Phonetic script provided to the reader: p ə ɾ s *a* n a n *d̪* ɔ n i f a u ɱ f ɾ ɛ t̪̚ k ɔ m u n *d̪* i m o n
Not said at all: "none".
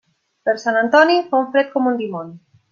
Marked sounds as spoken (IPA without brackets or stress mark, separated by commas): a, t̪, d̪